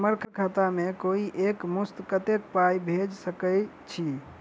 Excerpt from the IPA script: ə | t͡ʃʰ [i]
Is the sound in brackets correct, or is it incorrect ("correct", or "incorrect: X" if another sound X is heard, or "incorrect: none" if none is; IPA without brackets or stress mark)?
correct